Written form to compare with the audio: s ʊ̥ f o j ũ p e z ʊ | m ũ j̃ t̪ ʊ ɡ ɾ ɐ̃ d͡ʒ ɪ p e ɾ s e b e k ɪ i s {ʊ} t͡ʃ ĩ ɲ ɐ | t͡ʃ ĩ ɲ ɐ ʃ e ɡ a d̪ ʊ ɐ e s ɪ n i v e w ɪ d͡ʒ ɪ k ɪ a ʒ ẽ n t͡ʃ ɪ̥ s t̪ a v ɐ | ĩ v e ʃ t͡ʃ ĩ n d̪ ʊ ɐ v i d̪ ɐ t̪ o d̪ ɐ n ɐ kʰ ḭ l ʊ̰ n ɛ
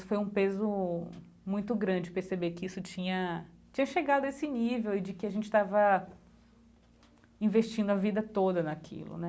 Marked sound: correct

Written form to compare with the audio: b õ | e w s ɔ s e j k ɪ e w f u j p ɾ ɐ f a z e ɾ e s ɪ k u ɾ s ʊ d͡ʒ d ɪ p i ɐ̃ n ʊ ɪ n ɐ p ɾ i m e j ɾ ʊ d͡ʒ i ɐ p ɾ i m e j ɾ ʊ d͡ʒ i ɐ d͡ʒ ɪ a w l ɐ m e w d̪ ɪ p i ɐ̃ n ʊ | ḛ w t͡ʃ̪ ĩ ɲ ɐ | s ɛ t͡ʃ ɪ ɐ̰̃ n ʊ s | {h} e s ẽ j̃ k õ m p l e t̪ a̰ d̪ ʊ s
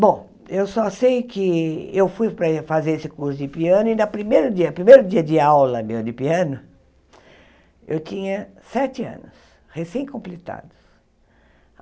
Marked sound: correct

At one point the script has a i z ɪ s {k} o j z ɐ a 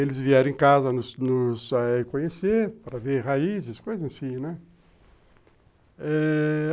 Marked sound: correct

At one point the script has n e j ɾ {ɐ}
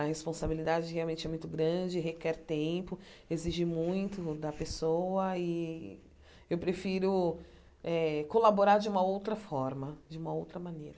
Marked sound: correct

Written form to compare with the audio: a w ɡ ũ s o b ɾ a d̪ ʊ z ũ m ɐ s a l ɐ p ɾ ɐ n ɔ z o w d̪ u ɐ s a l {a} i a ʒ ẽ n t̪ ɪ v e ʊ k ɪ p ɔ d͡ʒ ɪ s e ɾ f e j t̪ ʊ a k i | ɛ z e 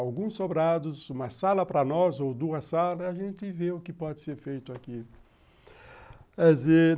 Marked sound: incorrect: ɐ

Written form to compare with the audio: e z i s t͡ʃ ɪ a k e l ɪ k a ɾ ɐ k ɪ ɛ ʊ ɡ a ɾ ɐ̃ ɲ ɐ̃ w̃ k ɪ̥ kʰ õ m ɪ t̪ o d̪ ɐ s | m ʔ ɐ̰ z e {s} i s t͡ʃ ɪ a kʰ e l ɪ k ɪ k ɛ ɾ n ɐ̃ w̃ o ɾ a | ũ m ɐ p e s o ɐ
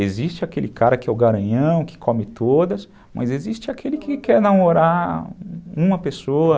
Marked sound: incorrect: z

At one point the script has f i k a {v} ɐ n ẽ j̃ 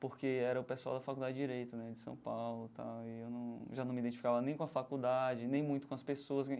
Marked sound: correct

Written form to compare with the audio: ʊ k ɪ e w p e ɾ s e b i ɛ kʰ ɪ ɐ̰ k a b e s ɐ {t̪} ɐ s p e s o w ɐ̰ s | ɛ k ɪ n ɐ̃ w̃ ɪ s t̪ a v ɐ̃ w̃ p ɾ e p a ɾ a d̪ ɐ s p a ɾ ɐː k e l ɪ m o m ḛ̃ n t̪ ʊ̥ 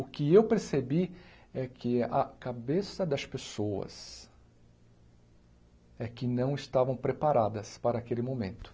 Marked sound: incorrect: d̪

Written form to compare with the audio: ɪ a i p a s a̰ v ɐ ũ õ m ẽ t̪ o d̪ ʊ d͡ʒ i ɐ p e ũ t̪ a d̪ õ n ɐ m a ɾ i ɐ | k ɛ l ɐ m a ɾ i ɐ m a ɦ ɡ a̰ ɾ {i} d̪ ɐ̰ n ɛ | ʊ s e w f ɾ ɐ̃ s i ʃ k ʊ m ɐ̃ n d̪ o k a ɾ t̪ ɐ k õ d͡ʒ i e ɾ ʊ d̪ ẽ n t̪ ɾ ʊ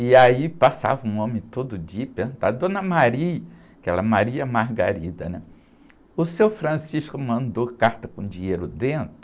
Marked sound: correct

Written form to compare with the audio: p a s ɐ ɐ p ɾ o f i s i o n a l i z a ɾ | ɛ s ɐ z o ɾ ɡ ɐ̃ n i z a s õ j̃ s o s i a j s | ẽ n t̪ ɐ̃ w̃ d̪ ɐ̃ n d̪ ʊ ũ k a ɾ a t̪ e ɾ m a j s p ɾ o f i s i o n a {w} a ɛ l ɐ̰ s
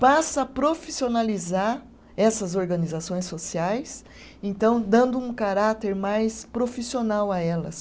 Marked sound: correct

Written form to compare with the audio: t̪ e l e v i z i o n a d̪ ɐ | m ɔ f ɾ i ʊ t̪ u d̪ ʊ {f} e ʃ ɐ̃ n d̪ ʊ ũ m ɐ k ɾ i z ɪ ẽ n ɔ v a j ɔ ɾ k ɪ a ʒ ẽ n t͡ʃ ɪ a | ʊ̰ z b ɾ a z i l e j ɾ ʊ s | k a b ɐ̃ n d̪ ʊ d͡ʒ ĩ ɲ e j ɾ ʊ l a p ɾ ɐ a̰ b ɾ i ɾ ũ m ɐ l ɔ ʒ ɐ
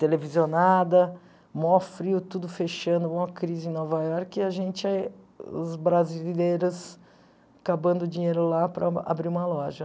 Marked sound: correct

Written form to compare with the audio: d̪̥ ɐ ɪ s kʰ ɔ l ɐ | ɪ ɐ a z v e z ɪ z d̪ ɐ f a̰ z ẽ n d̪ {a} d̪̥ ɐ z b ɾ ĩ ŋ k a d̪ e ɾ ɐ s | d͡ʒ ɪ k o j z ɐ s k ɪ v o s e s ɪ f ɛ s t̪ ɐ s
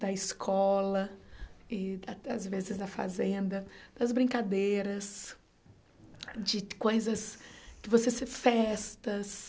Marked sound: incorrect: ɐ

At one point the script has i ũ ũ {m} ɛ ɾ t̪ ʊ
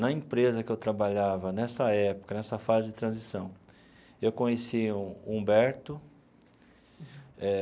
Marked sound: incorrect: b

